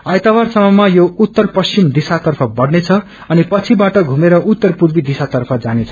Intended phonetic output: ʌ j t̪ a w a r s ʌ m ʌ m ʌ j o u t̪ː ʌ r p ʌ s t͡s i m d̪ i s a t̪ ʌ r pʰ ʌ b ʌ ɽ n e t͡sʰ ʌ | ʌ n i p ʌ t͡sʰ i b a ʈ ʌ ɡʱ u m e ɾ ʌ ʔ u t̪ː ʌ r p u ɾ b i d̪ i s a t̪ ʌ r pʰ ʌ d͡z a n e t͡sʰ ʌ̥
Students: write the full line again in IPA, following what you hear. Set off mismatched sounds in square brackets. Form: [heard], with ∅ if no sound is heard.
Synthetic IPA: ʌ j t̪ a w a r s ʌ m ʌ m [a] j o u t̪ː ʌ r p ʌ s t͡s i m d̪ i s a t̪ ʌ r pʰ ʌ b ʌ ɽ n e t͡sʰ ʌ | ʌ n i p ʌ t͡sʰ i b a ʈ ʌ ɡʱ u m e ɾ ʌ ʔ u t̪ː ʌ r p u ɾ b i d̪ i s a t̪ ʌ r pʰ ʌ d͡z a n e t͡sʰ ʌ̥

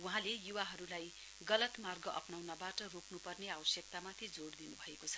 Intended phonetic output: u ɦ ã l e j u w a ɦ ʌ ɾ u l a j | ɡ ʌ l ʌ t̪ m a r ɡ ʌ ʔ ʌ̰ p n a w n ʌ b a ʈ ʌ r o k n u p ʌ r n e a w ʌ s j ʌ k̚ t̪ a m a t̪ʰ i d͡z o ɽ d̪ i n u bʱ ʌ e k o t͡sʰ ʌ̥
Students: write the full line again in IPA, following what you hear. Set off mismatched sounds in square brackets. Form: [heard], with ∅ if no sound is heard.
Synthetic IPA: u ɦ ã l e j u w a ɦ ʌ ɾ u l a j | ɡ ʌ l ʌ t̪ m a r ɡ ʌ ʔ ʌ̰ p n a w n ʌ b a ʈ ʌ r o k n u p ʌ r n e a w ʌ s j ʌ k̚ t̪ a m a t̪ʰ i d͡z o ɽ d̪ i n u bʱ ʌ e k o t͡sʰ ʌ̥

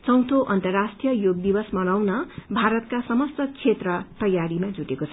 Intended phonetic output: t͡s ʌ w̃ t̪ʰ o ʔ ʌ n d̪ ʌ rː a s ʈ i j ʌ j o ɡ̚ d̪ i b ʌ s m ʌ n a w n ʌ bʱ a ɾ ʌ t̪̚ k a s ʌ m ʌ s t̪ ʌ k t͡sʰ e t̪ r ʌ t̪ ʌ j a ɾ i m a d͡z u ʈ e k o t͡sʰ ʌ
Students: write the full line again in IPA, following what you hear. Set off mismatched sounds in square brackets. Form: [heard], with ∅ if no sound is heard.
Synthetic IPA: t͡s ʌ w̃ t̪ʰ o ʔ ʌ n [t̪] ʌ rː a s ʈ i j ʌ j o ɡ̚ d̪ i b ʌ s m ʌ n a w n ʌ bʱ a ɾ ʌ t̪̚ k a s ʌ m ʌ s t̪ ʌ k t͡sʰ e t̪ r ʌ t̪ ʌ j a ɾ i m a d͡z u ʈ e k o t͡sʰ ʌ

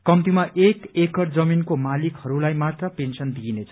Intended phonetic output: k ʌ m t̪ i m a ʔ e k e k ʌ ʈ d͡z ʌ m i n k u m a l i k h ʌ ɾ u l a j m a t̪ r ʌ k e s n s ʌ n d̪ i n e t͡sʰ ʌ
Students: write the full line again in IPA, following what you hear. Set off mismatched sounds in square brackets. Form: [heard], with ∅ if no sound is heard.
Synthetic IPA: k ʌ m t̪ i m a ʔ e k e k ʌ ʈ d͡z ʌ m i n k [o] m a l i k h ʌ ɾ u l a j m a t̪ r ʌ [p] e [∅] n s ʌ n d̪ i n e t͡sʰ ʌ

